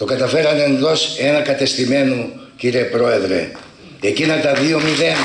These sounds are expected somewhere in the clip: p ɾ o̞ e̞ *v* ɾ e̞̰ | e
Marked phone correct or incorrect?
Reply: incorrect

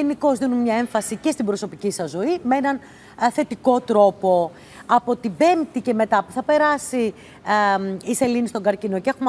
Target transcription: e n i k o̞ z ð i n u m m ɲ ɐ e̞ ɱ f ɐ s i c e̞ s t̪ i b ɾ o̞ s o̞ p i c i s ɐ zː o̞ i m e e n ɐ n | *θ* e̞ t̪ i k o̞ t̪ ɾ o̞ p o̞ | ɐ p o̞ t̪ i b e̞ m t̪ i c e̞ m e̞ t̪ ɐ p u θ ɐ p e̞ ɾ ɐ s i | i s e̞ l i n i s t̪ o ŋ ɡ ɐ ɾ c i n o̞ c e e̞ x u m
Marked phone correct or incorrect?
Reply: correct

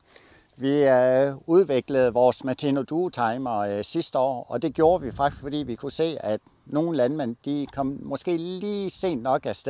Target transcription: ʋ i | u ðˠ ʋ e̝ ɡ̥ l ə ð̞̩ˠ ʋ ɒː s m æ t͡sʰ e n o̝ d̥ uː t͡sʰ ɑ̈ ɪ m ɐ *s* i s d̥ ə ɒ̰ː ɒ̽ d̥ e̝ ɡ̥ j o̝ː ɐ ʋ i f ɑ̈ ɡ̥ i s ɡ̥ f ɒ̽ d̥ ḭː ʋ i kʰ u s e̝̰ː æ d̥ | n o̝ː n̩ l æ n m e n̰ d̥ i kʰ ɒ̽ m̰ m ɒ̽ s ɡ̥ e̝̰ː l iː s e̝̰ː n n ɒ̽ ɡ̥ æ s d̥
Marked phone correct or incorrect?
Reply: correct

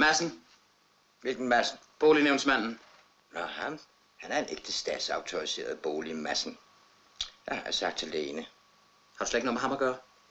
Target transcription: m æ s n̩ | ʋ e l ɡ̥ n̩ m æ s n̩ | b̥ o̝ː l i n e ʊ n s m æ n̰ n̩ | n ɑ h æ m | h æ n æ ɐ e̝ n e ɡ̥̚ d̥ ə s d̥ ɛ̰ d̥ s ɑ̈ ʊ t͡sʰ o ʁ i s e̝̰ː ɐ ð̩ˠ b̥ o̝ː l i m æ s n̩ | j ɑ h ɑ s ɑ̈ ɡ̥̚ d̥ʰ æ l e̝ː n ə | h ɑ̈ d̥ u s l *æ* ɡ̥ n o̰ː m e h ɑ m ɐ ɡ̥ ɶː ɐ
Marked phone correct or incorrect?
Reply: incorrect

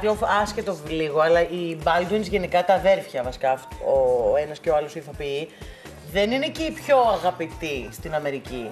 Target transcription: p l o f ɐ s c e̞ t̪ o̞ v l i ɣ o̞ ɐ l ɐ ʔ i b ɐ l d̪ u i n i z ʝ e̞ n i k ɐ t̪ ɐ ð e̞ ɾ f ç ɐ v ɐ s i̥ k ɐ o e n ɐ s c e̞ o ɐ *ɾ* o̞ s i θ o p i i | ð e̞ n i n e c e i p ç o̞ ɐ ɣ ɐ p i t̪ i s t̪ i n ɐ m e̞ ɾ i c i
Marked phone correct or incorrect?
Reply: incorrect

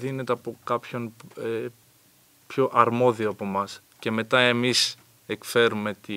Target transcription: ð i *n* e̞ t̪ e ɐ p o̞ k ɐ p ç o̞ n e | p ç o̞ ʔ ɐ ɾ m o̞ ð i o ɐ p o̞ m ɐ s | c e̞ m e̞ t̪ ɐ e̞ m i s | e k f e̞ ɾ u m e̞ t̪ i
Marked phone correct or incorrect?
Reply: correct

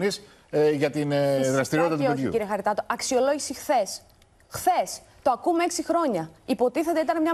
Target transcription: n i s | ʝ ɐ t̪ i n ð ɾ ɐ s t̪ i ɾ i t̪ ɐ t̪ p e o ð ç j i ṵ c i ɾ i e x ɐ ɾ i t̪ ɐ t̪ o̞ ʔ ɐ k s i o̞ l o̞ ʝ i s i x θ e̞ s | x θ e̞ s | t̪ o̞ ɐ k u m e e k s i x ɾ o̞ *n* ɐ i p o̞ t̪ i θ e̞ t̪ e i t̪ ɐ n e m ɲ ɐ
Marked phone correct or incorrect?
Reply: incorrect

